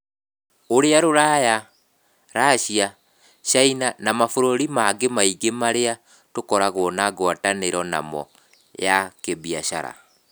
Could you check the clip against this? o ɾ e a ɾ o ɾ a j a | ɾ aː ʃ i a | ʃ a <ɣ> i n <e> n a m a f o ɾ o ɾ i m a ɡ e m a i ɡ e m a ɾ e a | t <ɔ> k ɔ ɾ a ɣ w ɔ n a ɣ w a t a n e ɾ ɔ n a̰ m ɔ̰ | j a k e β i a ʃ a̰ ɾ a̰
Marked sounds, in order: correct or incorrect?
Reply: incorrect: none, incorrect: a, incorrect: o

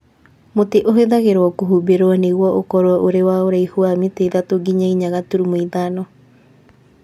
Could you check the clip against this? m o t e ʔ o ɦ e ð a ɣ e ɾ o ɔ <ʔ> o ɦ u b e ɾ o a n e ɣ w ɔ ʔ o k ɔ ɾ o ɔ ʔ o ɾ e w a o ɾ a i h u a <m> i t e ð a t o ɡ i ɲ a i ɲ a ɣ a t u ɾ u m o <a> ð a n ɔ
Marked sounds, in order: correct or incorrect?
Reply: incorrect: k, correct, incorrect: i

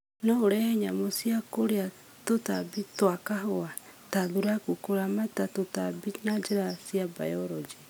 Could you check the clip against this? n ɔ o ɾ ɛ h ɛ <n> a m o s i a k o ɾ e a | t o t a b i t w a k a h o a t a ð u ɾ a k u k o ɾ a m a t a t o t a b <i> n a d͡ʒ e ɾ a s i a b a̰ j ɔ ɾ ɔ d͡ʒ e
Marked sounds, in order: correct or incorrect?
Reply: incorrect: ɲ, correct

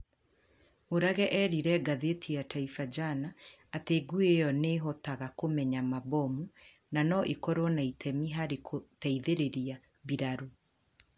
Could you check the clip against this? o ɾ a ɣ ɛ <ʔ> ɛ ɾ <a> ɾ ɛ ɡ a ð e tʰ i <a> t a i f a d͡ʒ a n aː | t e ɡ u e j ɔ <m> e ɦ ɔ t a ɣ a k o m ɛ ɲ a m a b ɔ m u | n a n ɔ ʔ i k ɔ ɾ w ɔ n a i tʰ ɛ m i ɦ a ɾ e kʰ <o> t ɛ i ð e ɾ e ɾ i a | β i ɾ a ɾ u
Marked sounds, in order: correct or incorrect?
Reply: correct, incorrect: i, correct, incorrect: n, correct

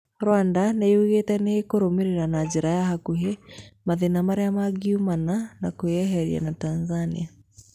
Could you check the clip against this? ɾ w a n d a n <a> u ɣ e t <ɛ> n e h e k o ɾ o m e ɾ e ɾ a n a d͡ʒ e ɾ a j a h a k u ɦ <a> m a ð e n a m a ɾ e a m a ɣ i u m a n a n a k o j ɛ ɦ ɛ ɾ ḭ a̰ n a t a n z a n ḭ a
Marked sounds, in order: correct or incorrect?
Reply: incorrect: e, correct, incorrect: e

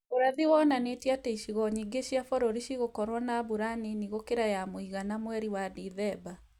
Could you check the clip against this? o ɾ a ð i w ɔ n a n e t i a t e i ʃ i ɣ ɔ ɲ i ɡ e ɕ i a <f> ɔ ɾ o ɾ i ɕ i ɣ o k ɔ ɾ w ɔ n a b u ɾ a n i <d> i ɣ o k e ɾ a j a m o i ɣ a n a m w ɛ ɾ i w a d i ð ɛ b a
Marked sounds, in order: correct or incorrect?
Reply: correct, incorrect: n

